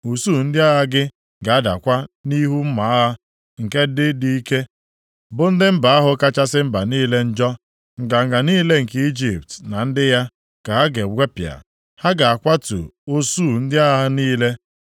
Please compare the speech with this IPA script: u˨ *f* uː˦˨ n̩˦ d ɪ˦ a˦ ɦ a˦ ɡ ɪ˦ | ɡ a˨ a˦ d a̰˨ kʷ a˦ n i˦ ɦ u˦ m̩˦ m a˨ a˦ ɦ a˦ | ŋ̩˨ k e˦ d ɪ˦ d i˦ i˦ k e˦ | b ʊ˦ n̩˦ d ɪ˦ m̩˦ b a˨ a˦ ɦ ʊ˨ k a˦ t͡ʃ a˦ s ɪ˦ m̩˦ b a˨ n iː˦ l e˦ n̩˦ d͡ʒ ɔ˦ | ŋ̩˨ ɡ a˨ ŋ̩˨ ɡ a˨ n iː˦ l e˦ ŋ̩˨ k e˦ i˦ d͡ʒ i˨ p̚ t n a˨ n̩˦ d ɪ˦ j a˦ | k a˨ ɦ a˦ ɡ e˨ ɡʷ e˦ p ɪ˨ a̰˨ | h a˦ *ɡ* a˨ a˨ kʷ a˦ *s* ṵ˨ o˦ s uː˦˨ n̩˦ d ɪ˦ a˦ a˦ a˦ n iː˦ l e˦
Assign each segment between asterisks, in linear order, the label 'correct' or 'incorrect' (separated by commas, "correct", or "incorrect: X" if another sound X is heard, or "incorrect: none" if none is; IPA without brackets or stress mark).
incorrect: s, correct, incorrect: t